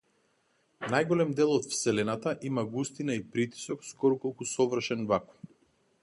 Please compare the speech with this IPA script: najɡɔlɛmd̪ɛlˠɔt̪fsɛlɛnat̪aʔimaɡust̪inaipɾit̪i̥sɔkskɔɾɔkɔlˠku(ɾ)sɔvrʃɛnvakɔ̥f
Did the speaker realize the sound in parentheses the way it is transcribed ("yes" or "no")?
no